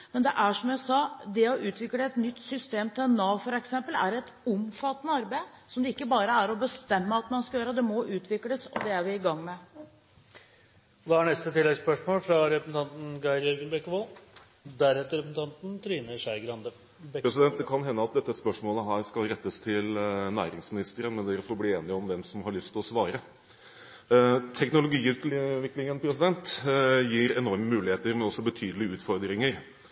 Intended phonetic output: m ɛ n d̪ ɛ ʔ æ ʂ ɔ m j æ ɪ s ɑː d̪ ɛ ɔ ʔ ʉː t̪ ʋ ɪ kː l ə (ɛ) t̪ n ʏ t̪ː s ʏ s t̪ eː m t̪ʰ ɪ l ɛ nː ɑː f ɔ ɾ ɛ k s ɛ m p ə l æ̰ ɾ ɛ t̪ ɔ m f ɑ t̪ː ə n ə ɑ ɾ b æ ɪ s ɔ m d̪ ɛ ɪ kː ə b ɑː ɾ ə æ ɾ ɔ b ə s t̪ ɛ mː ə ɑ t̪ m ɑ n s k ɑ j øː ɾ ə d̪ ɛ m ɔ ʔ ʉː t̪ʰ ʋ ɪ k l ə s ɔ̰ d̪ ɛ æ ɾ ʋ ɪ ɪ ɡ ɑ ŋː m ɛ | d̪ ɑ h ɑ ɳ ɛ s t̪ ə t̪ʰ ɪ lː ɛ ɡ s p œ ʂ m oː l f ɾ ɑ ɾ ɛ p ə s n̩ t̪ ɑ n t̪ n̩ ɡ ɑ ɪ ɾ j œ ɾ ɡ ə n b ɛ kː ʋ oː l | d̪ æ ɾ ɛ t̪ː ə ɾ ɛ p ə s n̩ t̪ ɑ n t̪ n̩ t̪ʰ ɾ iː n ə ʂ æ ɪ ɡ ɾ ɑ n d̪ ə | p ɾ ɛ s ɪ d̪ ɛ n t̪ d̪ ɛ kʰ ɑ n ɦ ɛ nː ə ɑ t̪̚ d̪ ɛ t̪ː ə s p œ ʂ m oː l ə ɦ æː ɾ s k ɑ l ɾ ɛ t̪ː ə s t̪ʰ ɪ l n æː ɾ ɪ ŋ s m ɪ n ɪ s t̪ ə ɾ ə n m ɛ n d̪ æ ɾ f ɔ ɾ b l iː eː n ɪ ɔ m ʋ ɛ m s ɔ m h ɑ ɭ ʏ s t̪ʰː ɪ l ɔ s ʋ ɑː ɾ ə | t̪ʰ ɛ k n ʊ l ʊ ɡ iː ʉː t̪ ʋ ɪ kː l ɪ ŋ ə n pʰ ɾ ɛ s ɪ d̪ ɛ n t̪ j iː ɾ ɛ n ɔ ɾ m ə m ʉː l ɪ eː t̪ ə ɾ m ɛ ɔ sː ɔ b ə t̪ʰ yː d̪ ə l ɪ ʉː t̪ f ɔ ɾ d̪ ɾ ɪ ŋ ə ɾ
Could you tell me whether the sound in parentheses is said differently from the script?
no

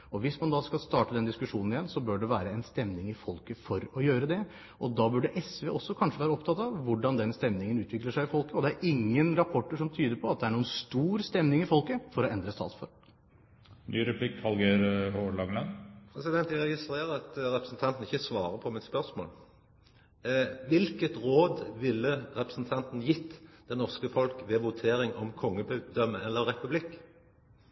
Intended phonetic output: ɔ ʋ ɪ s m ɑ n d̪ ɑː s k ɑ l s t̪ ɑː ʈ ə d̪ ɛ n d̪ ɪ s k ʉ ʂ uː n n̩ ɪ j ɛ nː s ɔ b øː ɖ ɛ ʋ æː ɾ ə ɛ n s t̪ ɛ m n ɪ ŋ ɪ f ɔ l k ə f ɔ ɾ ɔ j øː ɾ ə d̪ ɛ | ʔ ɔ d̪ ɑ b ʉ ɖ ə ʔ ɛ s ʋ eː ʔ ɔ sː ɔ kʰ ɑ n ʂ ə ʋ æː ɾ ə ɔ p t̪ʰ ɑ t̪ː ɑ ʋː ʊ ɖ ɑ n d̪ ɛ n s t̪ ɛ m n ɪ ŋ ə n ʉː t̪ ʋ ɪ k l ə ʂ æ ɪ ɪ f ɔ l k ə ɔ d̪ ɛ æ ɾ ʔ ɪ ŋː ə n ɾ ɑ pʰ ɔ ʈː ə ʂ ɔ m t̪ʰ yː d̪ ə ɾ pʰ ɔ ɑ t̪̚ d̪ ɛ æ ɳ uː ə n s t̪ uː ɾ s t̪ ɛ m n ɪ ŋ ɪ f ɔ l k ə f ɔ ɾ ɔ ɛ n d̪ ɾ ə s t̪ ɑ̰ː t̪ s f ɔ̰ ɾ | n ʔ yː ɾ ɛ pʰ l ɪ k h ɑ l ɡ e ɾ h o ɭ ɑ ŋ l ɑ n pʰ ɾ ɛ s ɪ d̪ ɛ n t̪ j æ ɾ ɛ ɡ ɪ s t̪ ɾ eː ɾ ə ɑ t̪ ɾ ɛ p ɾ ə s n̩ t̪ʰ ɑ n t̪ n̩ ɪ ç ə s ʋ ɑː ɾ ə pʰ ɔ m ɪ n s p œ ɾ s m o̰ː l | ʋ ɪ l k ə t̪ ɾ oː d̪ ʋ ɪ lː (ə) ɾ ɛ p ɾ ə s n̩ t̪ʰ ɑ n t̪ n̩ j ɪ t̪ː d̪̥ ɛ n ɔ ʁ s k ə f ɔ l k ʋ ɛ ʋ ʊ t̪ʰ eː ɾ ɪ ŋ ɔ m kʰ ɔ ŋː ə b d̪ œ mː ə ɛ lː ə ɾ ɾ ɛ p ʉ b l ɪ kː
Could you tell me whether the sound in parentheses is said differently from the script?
no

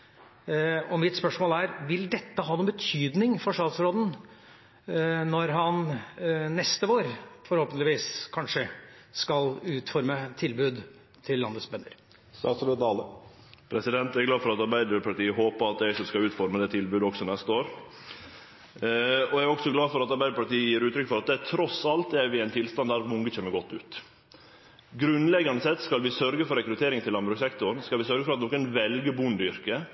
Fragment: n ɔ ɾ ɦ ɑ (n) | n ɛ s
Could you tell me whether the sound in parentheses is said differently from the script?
no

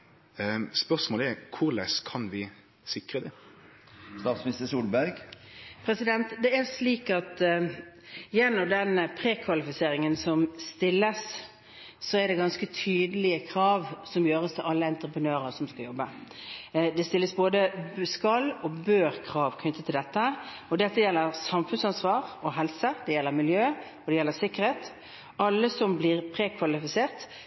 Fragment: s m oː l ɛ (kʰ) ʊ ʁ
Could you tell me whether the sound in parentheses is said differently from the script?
no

